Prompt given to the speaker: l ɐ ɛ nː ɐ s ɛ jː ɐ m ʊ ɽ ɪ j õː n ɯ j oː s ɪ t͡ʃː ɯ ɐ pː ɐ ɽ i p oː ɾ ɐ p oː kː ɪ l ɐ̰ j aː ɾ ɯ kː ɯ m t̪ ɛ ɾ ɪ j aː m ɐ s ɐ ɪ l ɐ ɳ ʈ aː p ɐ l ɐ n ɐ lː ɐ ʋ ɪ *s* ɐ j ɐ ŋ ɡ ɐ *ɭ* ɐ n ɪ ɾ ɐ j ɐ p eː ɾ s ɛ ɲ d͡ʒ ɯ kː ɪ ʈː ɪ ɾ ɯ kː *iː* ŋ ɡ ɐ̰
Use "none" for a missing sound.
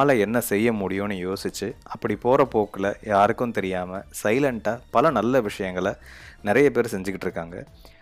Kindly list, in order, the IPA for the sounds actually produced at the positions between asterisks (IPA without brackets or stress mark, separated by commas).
ʂ, ɭ, aː